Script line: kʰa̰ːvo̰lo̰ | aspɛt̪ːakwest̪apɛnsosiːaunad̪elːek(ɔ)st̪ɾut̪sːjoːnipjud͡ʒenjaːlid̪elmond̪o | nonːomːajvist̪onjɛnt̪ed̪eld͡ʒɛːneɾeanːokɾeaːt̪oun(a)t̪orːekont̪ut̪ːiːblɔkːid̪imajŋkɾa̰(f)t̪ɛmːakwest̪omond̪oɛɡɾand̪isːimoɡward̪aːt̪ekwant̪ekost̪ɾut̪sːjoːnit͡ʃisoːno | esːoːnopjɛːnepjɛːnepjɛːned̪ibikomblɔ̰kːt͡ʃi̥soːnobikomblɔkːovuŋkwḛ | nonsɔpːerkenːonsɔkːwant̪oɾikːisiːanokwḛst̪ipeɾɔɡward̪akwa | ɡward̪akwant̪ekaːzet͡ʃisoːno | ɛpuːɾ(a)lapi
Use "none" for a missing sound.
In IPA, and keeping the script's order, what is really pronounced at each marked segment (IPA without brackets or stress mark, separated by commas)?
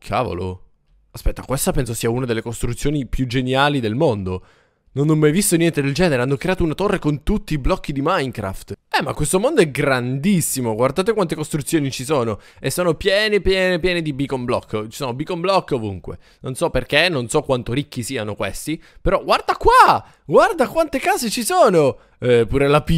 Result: o, a, f, e